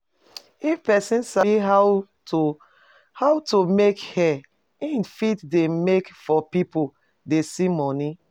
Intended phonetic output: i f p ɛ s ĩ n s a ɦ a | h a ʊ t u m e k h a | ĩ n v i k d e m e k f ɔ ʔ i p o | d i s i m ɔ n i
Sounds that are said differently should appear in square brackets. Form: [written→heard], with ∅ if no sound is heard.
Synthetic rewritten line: i f p ɛ s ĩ n s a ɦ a | h a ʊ t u m e k h [a→ɛ] | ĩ n [v→f] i [k→t] d e m e k f ɔ [ʔ→p] i p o | d [i→e] s i m ɔ n i